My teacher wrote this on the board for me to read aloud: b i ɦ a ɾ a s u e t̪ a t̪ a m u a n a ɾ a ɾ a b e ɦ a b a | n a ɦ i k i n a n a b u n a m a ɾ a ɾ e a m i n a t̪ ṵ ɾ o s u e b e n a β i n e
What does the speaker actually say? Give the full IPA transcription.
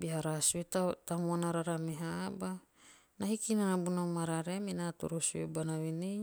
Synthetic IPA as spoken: b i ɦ a ɾ a s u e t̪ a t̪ a m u a n a ɾ a ɾ a m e ɦ a b a | n a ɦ i k i n a n a b u n a m a ɾ a ɾ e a m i n a t̪ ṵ ɾ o s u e b a n a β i n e

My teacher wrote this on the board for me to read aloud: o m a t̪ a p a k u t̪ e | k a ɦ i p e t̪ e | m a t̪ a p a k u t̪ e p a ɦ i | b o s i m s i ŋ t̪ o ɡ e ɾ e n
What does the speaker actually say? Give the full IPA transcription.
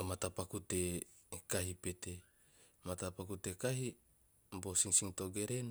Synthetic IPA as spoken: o m a t̪ a p a k u t̪ e | k a ɦ i p e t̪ e | m a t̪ a p a k u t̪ e k a ɦ i | b o s i ŋ s i ŋ t̪ o ɡ e ɾ e n

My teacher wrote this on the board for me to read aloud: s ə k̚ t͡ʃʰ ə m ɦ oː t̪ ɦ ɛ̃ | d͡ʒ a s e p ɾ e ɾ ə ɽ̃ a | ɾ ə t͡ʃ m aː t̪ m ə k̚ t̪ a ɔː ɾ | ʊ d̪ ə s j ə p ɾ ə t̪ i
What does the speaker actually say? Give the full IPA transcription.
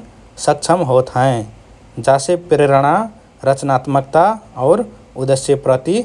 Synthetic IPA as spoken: s ə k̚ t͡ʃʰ ə m ɦ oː t̪ ɦ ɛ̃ | d͡ʒ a s e p ɾ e ɾ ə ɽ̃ a | ɾ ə t͡ʃ n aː t̪ m ə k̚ t̪ a ɔː ɾ | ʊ d̪ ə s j ə p ɾ ə t̪ i

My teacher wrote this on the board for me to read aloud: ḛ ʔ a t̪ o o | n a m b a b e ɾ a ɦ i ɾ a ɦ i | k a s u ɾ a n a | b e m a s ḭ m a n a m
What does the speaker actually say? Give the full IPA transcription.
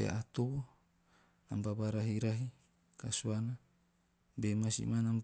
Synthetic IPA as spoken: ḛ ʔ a t̪ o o | n a m b a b a ɾ a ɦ i ɾ a ɦ i | k a s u a n a | b e m a s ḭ m a n a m

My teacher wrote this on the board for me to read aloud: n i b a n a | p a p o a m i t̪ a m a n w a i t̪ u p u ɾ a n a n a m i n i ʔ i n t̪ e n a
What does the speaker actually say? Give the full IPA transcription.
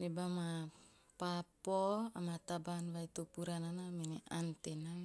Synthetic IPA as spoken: n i b a m a | p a p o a m a t̪ a b a n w a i t̪ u p u ɾ a n a n a m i n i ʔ a n t̪ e n a

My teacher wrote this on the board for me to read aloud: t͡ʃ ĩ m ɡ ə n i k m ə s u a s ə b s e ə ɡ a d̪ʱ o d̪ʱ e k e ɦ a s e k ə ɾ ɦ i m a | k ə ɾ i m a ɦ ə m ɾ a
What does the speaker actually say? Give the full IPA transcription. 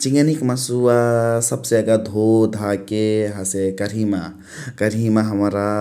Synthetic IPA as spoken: t͡ʃ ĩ ŋ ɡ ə n i k m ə s u a s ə b s e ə ɡ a d̪ʱ o d̪ʱ a k e ɦ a s e k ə ɾ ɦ i m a | k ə ɾ i m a ɦ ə m ɾ a

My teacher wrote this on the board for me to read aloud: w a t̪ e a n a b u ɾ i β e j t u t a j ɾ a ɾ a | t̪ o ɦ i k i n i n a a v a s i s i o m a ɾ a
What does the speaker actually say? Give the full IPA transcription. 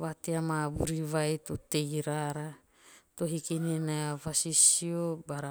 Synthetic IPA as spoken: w a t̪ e a m a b u ɾ i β a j t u t e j ɾ a ɾ a | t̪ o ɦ i k i n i n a a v a s i s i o b a ɾ a

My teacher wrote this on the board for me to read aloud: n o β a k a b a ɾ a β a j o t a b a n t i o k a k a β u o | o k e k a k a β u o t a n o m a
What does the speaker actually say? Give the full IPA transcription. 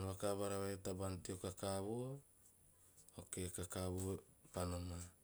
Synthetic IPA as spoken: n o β a k a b a ɾ a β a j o t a b a n t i o k a k a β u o | o k e k a k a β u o p a n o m a

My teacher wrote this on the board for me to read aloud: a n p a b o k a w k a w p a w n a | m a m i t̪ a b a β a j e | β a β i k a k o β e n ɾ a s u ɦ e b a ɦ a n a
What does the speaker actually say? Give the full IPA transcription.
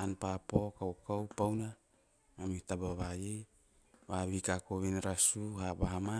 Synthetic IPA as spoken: a n p a p o k a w k a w p a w n a | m a m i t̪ a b a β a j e | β a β i k a k o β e n ɾ a s u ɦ a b a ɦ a m a

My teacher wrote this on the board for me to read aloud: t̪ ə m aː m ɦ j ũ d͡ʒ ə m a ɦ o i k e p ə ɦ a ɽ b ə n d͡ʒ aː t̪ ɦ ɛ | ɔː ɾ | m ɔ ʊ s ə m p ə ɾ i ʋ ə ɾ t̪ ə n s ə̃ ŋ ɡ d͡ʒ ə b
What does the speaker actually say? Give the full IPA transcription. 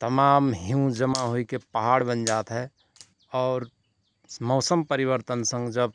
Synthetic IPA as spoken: t̪ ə m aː m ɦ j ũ d͡ʒ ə m a ɦ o i k e p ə ɦ a ɽ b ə n d͡ʒ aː t̪ ɦ ɛ | ɔː ɾ | m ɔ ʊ s ə m p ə ɾ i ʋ ə ɾ t̪ ə n s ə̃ ŋ ɡ d͡ʒ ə b

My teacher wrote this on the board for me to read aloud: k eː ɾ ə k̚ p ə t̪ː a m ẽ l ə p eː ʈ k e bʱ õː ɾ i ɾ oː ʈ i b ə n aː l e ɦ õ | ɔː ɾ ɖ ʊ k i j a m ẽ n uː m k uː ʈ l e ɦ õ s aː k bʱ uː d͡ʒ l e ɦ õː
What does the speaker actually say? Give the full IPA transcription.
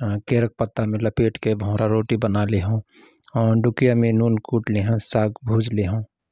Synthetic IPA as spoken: k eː ɾ ə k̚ p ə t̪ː a m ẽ l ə p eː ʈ k e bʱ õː ɾ a ɾ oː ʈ i b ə n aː l e ɦ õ | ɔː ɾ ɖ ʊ k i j a m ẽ n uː n k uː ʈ l e ɦ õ s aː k bʱ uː d͡ʒ l e ɦ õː

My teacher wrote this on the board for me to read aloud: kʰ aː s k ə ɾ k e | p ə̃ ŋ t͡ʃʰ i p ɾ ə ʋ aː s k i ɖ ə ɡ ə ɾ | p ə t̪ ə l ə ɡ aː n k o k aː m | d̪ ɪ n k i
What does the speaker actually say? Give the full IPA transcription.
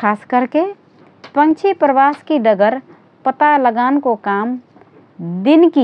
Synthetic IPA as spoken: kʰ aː s k ə ɾ k e | p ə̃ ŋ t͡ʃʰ i p ɾ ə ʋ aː s k i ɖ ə ɡ ə ɾ | p ə t̪ a l ə ɡ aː n k o k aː m | d̪ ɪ n k i

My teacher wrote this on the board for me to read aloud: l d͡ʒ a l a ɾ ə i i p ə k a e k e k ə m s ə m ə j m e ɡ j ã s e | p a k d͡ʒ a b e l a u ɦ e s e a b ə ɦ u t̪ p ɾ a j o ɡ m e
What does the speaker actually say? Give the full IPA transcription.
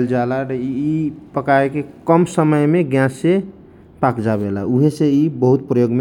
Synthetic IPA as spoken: l d͡ʒ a l a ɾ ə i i p ə k a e k e k ə m s ə m ə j m e ɡ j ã s e | p a k d͡ʒ a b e l a u ɦ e s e i b ə ɦ u t̪ p ɾ ə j o ɡ m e

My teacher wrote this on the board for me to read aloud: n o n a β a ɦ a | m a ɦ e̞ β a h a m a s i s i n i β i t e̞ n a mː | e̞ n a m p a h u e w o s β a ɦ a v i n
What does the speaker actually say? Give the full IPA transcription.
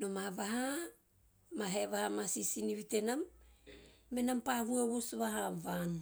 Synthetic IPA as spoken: n o m a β a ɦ a | m a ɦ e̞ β a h a m a s i s i n i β i t e̞ n a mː | e̞ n a m p a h u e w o s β a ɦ a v a n

